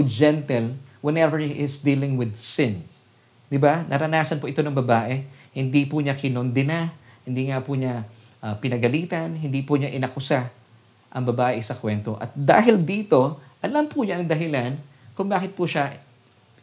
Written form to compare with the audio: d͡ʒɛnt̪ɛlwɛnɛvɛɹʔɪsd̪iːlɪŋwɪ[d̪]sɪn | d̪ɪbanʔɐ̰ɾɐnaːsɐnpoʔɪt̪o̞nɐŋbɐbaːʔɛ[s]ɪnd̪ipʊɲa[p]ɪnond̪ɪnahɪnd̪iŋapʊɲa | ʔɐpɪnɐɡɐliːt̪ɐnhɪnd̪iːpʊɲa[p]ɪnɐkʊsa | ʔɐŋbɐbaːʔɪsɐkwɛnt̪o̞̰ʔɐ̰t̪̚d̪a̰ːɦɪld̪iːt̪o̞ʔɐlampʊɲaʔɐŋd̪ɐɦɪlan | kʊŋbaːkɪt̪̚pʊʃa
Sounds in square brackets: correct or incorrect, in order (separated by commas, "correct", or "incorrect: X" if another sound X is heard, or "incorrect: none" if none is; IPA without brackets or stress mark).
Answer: correct, incorrect: h, incorrect: k, incorrect: ʔ